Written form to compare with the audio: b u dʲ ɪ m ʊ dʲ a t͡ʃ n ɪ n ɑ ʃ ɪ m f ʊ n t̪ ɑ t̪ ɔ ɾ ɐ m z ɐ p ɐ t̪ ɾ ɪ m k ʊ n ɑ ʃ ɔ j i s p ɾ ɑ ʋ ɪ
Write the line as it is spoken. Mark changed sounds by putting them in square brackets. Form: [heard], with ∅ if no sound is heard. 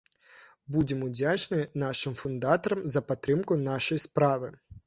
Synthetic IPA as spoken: b u dʲ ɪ m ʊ dʲ a t͡ʃ n ɪ n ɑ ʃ ɪ m f ʊ n [d̪] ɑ t̪ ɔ ɾ ɐ m z ɐ p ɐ t̪ ɾ ɪ m k ʊ n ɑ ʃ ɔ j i s p ɾ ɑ ʋ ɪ